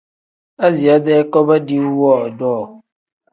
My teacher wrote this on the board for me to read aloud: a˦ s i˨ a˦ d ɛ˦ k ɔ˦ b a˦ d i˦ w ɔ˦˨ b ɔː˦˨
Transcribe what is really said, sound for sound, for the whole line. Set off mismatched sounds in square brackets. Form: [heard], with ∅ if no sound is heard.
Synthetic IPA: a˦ [z] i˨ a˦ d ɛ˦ k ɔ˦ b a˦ d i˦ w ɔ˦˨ [d] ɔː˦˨

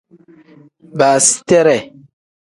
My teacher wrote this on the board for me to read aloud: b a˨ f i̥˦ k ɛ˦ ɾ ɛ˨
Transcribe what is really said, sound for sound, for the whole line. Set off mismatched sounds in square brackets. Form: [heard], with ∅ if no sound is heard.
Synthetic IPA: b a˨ [s] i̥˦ [t] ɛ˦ ɾ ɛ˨

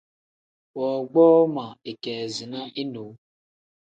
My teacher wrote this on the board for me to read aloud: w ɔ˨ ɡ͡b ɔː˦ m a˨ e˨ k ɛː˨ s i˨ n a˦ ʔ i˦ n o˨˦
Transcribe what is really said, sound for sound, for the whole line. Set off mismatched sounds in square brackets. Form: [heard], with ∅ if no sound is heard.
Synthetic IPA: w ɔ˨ ɡ͡b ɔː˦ m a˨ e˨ k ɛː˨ [z] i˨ n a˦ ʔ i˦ n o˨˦

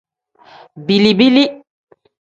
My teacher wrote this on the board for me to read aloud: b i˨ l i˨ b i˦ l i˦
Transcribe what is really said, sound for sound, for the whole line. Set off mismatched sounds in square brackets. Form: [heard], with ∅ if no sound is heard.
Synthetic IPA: b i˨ l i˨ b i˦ l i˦

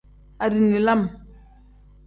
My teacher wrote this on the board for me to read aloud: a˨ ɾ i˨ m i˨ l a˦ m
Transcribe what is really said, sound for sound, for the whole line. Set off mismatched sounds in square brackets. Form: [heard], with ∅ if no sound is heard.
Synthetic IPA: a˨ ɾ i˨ [n] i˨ l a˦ m

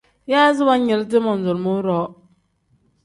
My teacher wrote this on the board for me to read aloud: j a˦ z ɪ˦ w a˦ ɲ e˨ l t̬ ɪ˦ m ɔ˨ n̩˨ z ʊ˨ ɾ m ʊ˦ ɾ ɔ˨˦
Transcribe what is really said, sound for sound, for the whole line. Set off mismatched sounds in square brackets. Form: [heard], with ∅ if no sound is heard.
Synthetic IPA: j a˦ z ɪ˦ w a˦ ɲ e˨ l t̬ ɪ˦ m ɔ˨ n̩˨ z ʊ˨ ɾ m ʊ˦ ɾ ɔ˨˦

